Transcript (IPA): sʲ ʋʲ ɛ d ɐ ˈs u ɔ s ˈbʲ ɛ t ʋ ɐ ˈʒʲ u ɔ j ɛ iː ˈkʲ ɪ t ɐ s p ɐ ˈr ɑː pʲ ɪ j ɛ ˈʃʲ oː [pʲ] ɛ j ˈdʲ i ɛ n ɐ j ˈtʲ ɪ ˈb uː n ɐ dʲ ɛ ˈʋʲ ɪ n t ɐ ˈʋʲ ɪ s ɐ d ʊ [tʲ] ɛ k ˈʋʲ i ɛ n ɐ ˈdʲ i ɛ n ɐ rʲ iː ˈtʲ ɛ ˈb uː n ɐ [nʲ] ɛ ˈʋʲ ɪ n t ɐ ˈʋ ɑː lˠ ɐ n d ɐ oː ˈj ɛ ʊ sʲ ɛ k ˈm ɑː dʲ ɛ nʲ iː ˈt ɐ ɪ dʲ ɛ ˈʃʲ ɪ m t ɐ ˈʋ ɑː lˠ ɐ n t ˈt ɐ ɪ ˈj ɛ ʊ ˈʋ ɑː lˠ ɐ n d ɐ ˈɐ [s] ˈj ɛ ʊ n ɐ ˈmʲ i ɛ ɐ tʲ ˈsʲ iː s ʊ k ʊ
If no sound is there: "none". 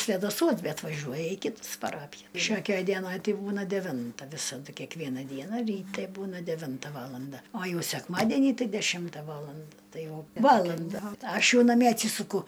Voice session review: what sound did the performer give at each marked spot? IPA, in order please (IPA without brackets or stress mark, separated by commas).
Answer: kʲ, kʲ, dʲ, ʃ